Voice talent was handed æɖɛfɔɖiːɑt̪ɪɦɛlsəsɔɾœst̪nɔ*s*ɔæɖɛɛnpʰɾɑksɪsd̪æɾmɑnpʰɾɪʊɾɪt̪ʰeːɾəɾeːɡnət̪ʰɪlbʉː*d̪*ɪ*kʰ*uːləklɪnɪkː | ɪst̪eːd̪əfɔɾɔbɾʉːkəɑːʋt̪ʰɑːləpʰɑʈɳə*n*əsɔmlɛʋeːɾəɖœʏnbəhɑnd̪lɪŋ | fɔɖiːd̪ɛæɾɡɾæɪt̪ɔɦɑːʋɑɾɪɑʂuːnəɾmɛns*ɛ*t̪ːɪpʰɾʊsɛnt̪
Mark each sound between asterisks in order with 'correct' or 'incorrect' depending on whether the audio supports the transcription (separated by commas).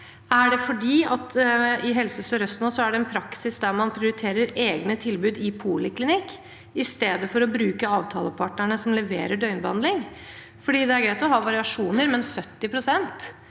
correct, correct, incorrect, incorrect, incorrect